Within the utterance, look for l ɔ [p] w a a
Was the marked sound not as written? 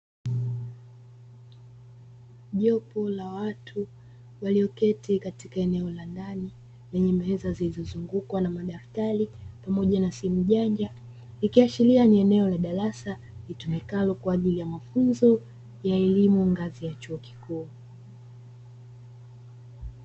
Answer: yes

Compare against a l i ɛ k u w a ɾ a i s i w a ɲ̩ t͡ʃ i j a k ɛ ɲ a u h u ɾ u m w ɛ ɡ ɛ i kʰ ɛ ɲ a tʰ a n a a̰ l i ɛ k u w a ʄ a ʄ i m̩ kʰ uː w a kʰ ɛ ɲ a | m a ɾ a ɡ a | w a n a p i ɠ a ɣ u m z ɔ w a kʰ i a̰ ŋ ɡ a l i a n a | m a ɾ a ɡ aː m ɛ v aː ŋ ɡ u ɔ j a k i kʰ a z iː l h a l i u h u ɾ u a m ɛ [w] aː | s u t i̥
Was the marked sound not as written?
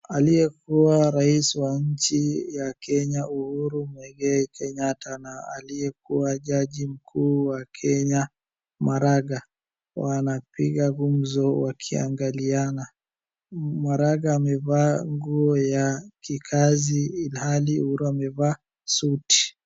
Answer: yes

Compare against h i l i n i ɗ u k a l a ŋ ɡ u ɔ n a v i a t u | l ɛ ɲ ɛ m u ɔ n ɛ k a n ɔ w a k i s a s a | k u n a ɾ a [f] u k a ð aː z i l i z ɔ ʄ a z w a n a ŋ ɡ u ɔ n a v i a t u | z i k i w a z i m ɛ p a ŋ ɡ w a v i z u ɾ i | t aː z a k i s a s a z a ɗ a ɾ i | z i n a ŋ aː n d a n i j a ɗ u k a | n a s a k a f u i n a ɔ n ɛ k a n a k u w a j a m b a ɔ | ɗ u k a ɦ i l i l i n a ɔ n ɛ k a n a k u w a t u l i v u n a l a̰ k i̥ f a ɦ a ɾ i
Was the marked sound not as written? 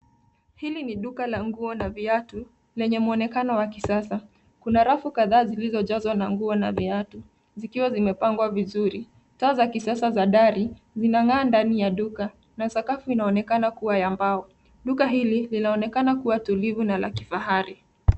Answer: no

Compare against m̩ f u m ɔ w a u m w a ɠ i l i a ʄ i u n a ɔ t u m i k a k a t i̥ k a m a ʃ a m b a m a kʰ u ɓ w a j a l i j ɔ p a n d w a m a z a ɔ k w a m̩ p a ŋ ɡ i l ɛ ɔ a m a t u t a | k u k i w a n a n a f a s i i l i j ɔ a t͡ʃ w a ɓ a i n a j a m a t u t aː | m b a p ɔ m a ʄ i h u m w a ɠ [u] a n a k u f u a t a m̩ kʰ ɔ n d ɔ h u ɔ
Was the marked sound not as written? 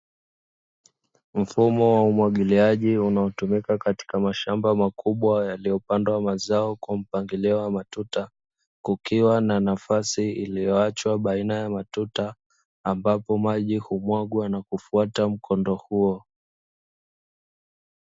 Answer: yes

